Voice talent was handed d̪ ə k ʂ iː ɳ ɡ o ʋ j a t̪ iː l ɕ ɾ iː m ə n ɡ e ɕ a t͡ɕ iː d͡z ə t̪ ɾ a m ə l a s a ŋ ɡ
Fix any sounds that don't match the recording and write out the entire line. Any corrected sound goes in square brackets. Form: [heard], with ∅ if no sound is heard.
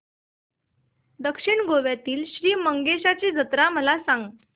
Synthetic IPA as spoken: d̪ ə k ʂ [i] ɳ ɡ o ʋ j a t̪ iː l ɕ ɾ iː m ə [ŋ] ɡ e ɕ a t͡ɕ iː d͡z ə t̪ ɾ a m ə l a s a ŋ ɡ